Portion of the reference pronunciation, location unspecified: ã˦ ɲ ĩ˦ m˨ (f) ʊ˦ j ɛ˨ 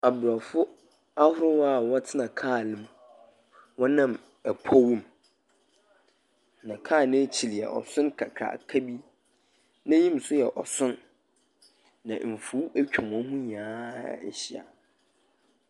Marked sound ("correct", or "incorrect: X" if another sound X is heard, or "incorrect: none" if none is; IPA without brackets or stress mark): incorrect: s